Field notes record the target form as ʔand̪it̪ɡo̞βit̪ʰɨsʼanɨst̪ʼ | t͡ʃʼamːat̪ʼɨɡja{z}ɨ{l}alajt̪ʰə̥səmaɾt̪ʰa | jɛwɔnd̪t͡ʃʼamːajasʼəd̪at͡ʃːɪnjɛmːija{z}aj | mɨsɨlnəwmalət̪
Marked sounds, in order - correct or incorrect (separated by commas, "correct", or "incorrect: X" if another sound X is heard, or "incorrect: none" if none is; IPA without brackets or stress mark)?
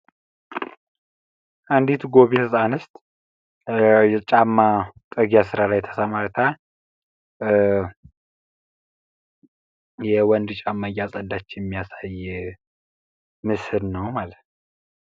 incorrect: s, incorrect: ɾ, incorrect: s